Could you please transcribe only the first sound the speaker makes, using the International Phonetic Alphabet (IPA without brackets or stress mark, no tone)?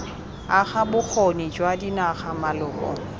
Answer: a